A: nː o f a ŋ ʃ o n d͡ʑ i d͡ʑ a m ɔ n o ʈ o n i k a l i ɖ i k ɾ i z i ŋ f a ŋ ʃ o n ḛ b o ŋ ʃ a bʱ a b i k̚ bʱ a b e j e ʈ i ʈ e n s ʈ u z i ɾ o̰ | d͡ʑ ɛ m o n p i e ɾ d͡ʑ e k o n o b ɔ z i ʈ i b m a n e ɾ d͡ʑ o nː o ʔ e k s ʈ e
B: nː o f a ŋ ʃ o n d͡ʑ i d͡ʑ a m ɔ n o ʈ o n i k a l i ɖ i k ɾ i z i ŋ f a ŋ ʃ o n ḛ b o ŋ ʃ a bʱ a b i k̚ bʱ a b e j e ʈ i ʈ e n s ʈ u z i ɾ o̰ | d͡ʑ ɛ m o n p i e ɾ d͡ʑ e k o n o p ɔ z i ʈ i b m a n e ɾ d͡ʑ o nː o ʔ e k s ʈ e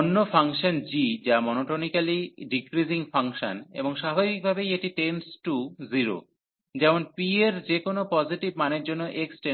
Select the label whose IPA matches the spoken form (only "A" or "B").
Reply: B